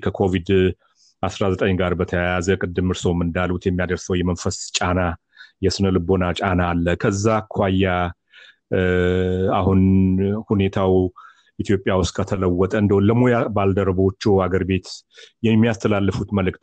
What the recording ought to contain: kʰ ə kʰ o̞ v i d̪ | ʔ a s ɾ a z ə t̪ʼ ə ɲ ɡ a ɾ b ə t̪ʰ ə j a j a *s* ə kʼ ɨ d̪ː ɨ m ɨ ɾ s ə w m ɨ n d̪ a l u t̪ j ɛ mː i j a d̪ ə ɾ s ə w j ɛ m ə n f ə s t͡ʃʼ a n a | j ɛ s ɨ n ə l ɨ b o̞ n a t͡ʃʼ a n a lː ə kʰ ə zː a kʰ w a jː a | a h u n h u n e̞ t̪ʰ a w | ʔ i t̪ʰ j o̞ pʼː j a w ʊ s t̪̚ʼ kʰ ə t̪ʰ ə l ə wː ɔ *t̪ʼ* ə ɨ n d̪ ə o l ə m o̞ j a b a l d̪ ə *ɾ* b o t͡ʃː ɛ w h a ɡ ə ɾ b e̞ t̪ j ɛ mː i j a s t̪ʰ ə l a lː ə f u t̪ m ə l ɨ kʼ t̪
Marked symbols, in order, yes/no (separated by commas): no, yes, yes